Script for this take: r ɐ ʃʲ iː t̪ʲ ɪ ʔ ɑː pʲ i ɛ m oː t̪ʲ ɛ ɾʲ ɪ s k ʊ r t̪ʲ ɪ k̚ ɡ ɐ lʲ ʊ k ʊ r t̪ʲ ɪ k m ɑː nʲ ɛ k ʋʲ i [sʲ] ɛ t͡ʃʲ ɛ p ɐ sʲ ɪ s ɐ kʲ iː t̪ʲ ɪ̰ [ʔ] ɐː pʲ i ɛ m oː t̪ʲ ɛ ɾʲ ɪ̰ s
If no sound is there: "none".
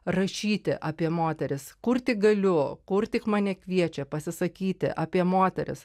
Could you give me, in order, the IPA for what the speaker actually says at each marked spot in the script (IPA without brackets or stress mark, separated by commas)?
none, ʔ